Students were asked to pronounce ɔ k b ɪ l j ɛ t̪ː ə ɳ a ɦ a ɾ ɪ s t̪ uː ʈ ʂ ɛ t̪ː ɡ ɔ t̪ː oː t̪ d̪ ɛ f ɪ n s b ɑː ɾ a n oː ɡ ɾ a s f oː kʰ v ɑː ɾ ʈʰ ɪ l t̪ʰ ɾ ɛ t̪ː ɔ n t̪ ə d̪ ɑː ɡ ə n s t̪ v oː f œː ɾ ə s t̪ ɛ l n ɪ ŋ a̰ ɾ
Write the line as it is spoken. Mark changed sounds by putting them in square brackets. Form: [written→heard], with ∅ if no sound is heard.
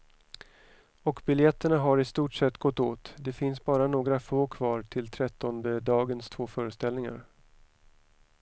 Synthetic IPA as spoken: ɔ k b ɪ l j ɛ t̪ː ə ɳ a ɦ a ɾ ɪ s t̪ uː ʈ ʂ ɛ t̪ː ɡ ɔ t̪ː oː t̪ d̪ ɛ f ɪ n s b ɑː ɾ a n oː ɡ ɾ a [s→∅] f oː kʰ v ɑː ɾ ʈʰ ɪ l t̪ʰ ɾ ɛ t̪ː ɔ n [t̪→d̪] ə d̪ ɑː ɡ ə n s [t̪→t̪ʰ] v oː f œː ɾ ə s t̪ ɛ l n ɪ ŋ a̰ ɾ